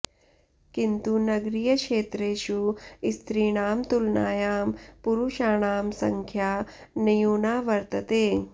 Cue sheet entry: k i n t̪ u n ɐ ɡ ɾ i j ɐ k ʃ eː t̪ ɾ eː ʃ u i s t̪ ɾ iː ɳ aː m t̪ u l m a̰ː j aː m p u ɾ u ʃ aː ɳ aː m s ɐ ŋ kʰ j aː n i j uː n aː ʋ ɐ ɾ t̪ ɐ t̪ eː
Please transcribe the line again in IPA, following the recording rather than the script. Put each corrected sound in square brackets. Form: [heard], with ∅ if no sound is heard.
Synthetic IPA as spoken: k i n t̪ u n ɐ ɡ ɾ i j ɐ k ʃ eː t̪ ɾ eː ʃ u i s t̪ ɾ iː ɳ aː m t̪ u l [n] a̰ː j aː m p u ɾ u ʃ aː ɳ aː m s ɐ ŋ kʰ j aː n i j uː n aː ʋ ɐ ɾ t̪ ɐ t̪ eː